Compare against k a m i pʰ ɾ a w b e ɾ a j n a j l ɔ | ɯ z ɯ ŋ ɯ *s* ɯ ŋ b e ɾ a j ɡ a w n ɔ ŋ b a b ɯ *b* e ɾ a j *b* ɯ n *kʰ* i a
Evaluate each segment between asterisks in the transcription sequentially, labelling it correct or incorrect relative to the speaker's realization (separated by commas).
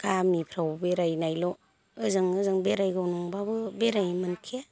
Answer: incorrect, correct, incorrect, correct